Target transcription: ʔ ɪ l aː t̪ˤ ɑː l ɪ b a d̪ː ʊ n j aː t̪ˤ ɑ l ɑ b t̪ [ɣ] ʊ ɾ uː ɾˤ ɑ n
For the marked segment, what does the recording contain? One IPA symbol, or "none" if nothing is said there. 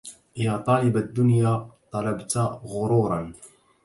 ɣ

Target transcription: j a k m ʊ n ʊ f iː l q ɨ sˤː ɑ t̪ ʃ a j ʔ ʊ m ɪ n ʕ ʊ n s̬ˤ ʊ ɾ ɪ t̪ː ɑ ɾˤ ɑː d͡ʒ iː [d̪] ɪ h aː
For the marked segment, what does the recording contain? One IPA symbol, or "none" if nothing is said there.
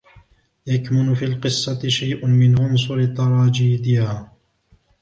d̪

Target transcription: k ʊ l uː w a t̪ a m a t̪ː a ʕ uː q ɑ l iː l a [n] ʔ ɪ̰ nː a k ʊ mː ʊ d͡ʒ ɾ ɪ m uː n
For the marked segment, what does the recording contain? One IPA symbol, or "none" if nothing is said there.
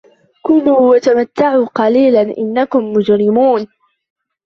n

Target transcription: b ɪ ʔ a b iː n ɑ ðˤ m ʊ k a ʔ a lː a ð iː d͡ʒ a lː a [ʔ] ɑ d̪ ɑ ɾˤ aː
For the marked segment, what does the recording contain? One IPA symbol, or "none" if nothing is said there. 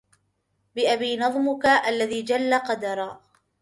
q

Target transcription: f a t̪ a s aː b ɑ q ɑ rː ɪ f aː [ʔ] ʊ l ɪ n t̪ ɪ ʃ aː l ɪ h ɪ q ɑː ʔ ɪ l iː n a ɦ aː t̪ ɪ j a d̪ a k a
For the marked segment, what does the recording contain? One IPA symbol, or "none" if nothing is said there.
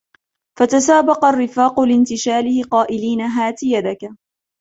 q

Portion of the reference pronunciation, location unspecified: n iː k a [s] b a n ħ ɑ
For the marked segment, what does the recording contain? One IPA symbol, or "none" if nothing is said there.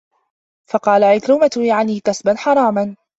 s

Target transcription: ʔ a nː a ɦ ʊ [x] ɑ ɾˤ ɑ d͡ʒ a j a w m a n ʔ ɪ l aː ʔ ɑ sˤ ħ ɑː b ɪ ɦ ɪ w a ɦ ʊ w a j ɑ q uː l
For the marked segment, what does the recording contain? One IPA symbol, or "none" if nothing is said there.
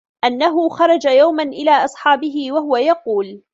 x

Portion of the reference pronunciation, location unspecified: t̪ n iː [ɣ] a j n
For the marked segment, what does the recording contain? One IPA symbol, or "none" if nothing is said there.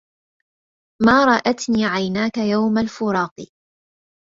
ʕ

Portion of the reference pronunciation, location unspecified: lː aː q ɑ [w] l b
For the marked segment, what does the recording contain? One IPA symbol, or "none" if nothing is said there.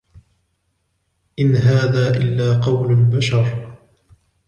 w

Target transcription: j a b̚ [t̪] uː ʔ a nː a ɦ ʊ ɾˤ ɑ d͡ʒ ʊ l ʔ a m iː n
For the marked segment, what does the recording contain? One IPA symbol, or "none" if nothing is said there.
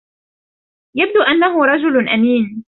d̪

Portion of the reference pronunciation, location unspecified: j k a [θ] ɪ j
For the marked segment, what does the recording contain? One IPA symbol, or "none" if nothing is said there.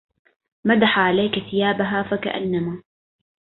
θ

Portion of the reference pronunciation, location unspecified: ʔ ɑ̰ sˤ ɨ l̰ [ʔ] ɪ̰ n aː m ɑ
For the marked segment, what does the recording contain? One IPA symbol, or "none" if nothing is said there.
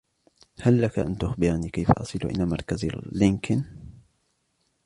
ʔ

